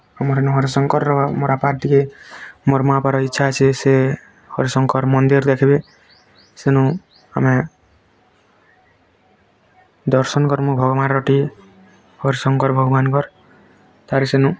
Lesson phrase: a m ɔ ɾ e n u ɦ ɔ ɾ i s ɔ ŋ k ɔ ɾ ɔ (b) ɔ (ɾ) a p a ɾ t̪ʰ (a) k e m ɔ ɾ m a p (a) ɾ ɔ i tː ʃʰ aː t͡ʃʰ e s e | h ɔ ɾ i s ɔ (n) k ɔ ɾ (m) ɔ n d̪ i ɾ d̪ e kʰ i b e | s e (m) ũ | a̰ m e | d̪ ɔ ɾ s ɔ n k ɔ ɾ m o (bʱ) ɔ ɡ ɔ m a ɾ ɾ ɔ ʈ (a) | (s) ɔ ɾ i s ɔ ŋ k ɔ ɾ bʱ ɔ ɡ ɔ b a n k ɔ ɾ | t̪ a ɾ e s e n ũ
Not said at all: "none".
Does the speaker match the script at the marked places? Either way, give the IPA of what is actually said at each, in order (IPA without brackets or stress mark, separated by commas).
m, ɾ, i, a, ŋ, m, n, bʱ, i, h